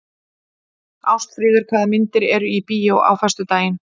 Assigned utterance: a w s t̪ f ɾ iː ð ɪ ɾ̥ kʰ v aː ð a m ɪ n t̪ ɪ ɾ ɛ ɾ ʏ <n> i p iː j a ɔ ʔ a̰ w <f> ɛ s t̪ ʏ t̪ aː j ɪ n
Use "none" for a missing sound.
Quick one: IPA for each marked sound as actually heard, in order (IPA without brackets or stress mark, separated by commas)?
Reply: none, f